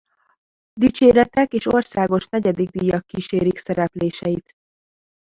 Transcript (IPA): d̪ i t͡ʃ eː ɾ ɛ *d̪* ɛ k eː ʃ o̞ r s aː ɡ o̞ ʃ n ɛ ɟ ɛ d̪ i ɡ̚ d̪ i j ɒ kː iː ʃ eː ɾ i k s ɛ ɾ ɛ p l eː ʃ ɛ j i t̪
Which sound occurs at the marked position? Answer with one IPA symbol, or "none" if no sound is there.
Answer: t̪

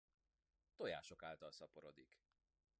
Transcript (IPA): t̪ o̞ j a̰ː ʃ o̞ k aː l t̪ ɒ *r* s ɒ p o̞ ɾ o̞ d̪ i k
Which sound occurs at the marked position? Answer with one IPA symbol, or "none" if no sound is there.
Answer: l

